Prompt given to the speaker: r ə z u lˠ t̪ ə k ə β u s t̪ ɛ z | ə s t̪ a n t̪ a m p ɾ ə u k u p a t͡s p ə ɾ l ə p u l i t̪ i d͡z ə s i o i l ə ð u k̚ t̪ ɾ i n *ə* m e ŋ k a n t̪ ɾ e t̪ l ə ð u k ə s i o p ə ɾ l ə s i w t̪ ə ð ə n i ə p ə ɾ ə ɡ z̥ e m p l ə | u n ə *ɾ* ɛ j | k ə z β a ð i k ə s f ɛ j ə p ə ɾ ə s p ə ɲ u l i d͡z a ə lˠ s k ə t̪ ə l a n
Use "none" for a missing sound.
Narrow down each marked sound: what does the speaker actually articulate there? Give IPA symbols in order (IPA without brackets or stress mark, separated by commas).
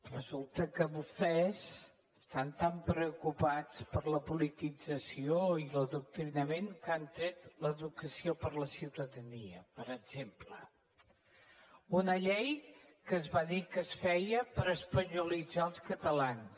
ə, ʎ